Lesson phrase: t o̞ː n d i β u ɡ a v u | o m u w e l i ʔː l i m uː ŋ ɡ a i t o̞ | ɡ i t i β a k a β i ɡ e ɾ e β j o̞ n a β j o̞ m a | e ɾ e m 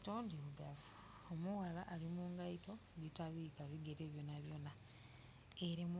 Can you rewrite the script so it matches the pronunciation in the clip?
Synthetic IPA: t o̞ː n d i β u ɡ a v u | o m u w a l a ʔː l i m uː ŋ ɡ a i t o̞ | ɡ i t a β i k a β i ɡ e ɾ e β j o̞ n a β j o̞ n a | e ɾ e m